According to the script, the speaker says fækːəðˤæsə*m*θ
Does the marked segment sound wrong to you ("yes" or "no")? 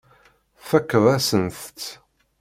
yes